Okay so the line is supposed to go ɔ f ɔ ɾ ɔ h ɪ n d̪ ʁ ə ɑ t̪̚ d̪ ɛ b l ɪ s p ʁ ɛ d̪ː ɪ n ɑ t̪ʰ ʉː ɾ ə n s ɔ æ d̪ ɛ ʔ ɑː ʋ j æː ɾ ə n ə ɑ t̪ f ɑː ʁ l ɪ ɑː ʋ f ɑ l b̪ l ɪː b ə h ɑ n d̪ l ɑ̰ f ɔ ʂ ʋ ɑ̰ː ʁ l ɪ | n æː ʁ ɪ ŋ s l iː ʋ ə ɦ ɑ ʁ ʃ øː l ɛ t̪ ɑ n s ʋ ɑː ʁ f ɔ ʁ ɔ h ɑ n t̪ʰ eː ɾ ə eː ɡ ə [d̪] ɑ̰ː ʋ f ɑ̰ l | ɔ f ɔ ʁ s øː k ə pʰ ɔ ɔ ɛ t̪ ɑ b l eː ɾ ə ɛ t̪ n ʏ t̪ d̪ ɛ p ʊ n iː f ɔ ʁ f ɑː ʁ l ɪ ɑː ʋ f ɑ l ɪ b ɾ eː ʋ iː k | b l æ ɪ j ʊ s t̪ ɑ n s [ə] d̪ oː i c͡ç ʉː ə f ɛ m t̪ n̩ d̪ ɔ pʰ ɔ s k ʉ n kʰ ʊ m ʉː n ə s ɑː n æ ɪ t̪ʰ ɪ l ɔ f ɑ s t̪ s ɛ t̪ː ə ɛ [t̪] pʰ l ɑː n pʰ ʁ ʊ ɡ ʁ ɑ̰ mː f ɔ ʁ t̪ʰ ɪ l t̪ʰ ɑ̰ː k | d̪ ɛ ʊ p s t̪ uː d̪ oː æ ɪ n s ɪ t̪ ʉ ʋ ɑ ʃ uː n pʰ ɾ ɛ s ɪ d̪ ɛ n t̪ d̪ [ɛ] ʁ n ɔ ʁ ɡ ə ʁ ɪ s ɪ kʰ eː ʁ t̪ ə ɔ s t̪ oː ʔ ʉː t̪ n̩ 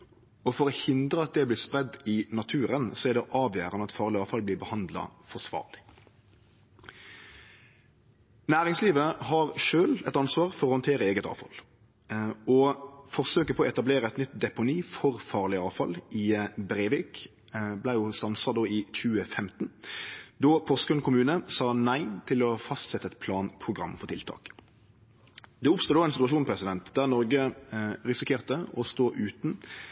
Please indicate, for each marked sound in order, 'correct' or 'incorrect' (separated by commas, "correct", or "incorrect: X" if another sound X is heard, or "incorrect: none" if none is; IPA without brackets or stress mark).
incorrect: t̪, incorrect: ɑ, correct, incorrect: æ